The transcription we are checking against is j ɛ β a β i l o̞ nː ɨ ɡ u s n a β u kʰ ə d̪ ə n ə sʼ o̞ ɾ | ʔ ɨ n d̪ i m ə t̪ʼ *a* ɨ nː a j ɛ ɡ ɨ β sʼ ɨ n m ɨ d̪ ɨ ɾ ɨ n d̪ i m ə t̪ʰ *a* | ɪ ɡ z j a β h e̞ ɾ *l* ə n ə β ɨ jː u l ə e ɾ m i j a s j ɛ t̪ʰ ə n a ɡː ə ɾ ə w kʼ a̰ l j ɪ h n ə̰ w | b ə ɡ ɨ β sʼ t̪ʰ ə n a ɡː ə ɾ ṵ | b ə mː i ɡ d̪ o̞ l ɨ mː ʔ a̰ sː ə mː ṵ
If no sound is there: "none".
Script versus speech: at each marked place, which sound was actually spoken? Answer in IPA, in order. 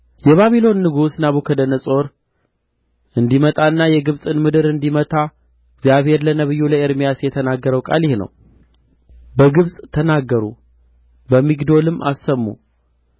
a, a, l

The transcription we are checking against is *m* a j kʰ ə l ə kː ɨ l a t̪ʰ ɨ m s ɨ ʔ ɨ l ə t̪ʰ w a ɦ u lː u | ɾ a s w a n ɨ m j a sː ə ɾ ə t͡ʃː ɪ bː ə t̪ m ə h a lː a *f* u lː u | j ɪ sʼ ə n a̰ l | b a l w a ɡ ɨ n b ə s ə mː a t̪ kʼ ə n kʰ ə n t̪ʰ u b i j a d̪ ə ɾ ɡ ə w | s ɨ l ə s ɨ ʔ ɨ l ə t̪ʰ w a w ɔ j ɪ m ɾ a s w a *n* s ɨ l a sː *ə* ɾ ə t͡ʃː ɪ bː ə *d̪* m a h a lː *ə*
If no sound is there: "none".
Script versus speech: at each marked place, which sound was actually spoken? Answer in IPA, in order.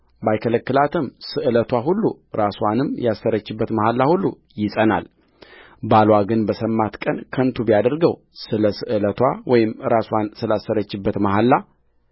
b, h, n, ə, t̪, a

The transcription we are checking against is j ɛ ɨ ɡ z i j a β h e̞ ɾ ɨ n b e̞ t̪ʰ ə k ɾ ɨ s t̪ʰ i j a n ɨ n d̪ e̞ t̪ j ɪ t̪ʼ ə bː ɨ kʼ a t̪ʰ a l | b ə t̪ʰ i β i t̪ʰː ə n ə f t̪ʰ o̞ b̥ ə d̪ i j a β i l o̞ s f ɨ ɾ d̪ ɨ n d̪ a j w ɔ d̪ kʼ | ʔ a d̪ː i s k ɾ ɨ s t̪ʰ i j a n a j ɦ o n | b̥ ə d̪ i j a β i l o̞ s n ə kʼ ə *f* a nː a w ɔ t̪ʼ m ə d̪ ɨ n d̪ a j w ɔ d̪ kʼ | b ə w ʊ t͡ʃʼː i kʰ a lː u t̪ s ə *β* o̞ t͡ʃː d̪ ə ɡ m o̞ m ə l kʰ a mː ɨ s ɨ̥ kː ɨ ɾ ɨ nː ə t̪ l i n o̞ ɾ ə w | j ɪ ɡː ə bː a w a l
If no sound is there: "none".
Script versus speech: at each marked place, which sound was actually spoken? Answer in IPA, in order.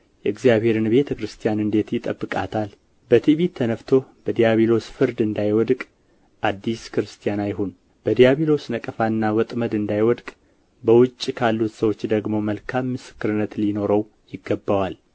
f, w

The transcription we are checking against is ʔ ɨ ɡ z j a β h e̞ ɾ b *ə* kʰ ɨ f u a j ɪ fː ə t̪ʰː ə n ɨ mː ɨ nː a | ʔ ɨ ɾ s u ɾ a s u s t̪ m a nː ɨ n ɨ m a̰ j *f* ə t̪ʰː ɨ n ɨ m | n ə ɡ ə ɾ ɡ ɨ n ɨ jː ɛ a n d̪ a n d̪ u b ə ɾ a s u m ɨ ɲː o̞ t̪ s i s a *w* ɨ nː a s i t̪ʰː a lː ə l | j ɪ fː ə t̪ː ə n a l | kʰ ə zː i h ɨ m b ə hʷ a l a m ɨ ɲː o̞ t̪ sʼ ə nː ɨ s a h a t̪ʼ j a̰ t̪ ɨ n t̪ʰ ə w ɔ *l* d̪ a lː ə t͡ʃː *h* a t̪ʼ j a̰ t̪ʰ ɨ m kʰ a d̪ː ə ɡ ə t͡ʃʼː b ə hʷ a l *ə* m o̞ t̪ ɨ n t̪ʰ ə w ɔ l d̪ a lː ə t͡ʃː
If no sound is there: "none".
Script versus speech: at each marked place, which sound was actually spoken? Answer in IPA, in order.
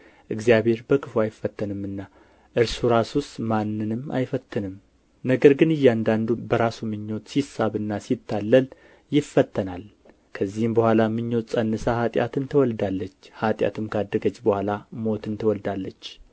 ə, f, β, l, h, a

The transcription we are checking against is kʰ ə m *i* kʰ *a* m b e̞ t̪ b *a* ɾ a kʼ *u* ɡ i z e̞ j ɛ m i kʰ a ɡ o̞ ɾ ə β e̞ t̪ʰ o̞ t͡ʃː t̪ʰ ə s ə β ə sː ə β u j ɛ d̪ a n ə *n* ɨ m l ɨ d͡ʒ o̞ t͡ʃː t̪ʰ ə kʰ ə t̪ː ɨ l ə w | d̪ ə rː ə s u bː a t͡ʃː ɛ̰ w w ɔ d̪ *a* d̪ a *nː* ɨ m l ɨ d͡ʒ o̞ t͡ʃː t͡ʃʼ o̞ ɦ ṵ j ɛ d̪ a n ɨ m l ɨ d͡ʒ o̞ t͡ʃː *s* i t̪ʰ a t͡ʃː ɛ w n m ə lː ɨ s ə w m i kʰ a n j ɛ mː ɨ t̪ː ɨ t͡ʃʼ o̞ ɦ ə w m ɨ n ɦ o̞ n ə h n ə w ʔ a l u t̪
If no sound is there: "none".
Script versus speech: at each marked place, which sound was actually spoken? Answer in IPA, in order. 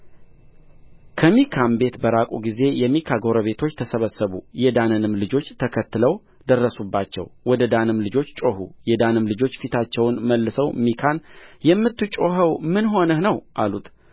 i, a, ə, u, n, ə, n, f

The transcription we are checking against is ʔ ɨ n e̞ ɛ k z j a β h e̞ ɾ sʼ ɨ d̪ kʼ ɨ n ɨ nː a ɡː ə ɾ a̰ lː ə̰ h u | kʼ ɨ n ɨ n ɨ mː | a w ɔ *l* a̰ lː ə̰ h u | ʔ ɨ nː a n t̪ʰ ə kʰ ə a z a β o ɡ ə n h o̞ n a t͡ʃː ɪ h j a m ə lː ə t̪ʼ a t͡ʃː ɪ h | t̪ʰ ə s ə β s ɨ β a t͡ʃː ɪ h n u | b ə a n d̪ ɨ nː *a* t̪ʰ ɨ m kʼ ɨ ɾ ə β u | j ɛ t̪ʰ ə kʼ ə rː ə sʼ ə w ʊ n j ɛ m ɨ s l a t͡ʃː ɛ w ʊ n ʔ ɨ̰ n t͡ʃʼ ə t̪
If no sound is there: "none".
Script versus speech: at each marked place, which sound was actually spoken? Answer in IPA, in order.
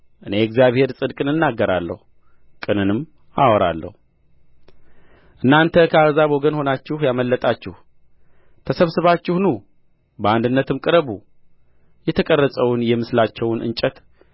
ɾ, ə

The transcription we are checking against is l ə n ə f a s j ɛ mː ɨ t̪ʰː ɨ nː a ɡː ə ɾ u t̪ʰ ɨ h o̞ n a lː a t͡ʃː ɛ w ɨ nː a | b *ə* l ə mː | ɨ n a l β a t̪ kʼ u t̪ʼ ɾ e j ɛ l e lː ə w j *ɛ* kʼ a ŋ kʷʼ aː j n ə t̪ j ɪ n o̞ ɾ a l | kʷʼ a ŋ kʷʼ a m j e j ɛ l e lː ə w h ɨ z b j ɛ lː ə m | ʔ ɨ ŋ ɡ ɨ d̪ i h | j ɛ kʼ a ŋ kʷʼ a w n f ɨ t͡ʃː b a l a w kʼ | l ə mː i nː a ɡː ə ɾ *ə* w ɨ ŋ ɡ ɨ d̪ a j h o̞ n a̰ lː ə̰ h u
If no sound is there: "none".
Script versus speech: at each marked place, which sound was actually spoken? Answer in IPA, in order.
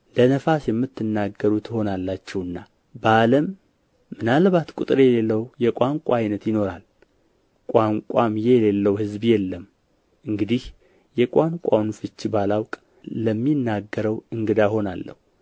a, ɛ, ə

